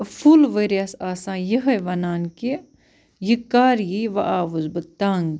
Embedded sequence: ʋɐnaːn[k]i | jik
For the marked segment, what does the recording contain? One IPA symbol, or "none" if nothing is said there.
k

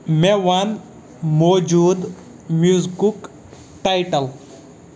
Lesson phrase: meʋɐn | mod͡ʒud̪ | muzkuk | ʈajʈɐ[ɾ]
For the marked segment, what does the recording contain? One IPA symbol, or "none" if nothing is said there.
l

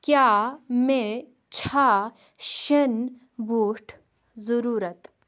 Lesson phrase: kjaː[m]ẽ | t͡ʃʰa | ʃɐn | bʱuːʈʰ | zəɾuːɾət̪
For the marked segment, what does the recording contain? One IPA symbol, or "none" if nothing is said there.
m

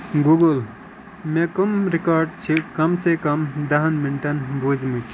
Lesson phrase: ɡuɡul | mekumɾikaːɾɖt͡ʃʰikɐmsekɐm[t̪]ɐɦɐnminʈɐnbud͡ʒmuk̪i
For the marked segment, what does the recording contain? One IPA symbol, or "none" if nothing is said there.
d̪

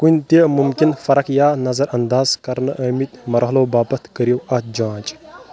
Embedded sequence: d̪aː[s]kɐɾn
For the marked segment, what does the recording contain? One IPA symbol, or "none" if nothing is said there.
z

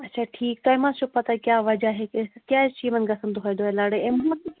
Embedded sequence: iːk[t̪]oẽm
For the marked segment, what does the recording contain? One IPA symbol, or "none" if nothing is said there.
t̪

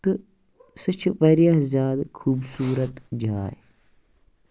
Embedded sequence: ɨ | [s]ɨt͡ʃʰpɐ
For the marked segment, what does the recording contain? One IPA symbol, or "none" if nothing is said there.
s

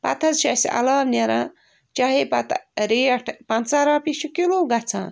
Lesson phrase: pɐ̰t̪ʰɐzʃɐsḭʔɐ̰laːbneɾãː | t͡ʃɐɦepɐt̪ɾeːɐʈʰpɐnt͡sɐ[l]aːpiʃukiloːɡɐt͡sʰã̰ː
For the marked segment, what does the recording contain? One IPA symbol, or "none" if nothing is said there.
ɾ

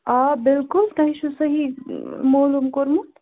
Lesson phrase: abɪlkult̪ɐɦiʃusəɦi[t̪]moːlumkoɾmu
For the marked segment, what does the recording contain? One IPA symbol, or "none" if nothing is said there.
none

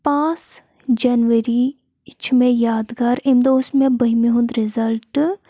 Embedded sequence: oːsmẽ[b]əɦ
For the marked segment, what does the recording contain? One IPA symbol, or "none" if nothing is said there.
b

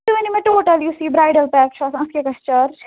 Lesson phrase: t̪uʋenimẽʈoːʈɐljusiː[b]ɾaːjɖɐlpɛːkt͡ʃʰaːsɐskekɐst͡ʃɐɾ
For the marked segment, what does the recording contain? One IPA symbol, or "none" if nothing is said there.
b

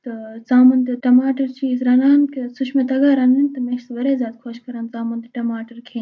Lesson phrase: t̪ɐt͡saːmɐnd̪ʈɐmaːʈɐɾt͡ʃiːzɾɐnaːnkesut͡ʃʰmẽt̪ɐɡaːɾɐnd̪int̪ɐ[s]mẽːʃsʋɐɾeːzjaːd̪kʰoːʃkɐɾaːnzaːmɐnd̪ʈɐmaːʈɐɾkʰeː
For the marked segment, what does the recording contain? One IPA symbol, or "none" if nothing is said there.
none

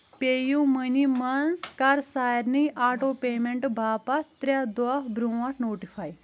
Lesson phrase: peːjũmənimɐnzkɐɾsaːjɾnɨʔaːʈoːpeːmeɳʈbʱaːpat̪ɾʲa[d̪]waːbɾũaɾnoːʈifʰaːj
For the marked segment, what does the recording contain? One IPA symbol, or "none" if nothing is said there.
d̪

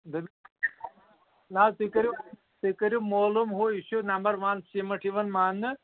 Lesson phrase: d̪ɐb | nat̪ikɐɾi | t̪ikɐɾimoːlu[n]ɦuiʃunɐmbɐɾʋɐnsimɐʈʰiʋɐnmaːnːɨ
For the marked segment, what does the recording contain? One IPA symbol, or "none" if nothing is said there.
m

